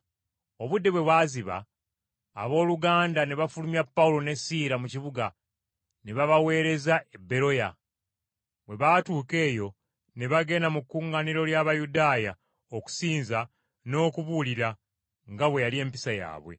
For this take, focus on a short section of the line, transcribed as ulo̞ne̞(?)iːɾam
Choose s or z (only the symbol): s